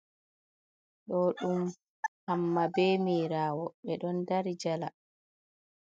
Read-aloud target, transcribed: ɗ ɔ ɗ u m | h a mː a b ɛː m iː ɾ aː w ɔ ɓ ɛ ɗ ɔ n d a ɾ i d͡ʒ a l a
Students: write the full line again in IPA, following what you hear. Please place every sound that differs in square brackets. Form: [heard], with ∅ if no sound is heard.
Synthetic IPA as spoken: ɗ ɔ ɗ u m | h a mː a b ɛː m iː ɾ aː w ɔ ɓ ɛ ɗ ɔ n d a ɾ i d͡ʒ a l a

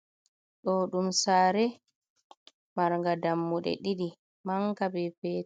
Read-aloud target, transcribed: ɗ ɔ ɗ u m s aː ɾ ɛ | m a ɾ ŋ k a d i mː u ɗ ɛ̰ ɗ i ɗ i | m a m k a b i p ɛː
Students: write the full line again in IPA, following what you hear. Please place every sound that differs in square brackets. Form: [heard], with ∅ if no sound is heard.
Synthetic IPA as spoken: ɗ ɔ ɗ u m s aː ɾ ɛ | m a ɾ ŋ [ɡ] a d [a] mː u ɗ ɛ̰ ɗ i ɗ i | m a [ŋ] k a b [ɛ] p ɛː

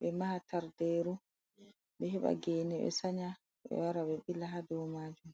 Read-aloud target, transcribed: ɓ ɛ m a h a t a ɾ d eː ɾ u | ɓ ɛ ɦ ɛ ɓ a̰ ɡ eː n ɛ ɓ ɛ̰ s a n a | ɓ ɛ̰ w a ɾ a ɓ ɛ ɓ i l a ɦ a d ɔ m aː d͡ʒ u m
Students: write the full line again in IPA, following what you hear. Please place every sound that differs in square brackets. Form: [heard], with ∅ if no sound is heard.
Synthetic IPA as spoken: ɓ ɛ m a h a t a ɾ d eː ɾ u | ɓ ɛ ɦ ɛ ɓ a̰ ɡ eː n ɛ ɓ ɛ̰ s a [ɲ] a | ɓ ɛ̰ w a ɾ a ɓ ɛ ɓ i l a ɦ a d ɔ m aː d͡ʒ u m

